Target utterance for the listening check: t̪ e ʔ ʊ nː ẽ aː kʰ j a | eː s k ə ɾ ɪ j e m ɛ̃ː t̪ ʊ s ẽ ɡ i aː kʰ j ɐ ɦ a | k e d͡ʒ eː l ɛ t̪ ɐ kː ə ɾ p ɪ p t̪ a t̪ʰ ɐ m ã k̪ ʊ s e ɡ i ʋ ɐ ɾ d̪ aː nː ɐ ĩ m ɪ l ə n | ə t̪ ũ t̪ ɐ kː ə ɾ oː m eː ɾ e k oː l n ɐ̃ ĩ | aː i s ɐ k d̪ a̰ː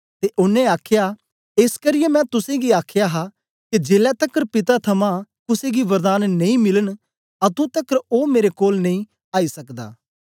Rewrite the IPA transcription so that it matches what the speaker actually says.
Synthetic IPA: t̪ e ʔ ʊ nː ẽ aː kʰ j a | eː s k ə ɾ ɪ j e m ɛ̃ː t̪ ʊ s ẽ ɡ i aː kʰ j a ɦ a | k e d͡ʒ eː l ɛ t̪ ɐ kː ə ɾ p ɪ t̪ a t̪ʰ ɐ m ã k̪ ʊ s e ɡ i ʋ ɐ ɾ d̪ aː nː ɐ ĩ m ɪ l ə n | a t̪ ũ t̪ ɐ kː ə ɾ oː m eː ɾ e k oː l n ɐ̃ ĩ | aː i s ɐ k d̪ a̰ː